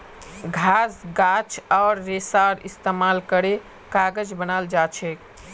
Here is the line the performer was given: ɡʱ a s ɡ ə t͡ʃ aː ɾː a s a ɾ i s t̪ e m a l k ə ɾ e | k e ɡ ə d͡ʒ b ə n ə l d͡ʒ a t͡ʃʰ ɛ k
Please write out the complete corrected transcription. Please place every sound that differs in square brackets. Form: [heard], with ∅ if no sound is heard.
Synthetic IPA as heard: ɡʱ a s ɡ [a] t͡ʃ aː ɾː [e] s a ɾ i s t̪ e m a l k ə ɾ e | k [a] ɡ ə d͡ʒ b ə n [a] l d͡ʒ a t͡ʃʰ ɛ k